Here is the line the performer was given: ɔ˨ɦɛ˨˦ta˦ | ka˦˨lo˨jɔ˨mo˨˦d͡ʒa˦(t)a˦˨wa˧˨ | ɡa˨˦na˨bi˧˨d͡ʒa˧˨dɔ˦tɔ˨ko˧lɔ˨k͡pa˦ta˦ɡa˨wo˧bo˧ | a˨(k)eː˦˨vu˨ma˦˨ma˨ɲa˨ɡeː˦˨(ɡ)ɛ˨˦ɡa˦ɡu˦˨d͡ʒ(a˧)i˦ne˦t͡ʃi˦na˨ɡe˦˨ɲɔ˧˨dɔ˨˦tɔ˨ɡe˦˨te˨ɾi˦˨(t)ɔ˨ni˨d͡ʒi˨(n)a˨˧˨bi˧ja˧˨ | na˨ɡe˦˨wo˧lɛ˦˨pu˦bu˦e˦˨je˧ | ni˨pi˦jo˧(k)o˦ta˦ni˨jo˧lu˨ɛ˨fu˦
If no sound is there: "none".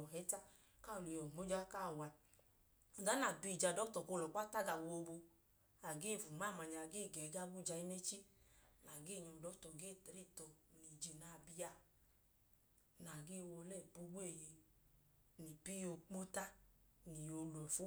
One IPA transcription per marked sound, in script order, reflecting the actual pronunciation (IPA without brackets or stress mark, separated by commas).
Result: k, ɡ, ɡ, a˧, t, n, k͡p